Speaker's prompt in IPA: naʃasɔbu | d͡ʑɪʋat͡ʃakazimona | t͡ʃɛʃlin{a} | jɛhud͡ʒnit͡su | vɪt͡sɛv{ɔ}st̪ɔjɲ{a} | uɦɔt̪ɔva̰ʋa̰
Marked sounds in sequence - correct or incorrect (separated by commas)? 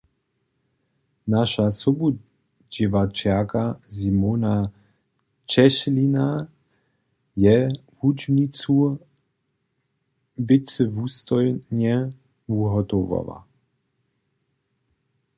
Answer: correct, incorrect, incorrect